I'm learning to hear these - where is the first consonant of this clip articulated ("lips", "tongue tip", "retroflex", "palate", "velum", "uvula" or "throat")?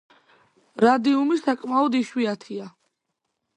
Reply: tongue tip